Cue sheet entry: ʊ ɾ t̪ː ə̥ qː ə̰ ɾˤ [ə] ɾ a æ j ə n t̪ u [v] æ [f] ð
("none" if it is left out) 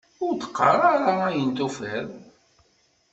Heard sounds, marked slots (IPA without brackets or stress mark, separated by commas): a, f, none